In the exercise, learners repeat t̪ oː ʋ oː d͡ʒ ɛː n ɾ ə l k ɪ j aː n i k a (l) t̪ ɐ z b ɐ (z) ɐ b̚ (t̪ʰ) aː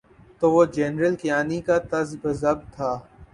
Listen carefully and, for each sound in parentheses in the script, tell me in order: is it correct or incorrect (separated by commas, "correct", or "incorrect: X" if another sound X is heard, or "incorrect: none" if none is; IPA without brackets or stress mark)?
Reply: incorrect: none, correct, correct